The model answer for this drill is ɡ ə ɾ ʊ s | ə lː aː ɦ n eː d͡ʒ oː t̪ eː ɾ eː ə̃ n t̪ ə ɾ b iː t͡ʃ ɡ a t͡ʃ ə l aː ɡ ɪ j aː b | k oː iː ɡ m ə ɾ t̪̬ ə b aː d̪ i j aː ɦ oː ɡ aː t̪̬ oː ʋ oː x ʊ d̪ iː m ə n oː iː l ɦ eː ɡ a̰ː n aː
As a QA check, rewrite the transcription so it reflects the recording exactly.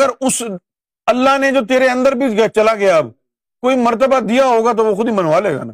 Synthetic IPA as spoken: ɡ ə ɾ ʊ s | ə lː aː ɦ n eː d͡ʒ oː t̪ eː ɾ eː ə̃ n d̪ ə ɾ b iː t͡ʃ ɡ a t͡ʃ ə l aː ɡ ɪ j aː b | k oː iː m ə ɾ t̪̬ ə b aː d̪ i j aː ɦ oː ɡ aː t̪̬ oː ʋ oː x ʊ d̪ iː m ə n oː aː l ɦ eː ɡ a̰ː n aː